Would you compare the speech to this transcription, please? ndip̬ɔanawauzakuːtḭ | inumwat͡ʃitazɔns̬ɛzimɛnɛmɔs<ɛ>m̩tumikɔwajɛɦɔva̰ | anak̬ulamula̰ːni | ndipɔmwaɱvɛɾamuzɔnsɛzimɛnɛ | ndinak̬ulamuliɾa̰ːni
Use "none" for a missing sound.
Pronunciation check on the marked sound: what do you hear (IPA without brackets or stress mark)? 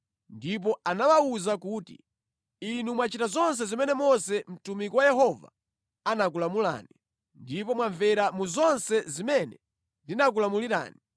ɛ